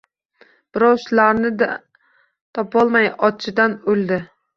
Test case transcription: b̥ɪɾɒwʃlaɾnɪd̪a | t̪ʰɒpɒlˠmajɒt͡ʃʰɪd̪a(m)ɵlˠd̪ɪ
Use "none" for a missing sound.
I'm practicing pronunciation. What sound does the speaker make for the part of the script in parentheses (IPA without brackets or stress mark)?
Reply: n